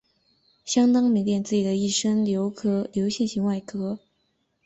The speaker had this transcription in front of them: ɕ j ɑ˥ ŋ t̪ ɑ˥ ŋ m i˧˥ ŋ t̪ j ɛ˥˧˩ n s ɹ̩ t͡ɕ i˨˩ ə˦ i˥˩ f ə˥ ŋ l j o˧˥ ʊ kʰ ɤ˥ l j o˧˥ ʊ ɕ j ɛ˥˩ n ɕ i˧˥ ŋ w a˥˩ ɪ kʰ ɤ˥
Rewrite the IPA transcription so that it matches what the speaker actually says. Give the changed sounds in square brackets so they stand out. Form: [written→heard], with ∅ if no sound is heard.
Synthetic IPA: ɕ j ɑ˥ ŋ t̪ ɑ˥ ŋ m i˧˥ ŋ t̪ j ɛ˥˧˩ n [s→t͡s] ɹ̩ t͡ɕ i˨˩ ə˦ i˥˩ [f→ʂ] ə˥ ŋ l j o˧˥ ʊ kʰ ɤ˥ l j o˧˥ ʊ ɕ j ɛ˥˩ n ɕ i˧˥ ŋ w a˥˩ ɪ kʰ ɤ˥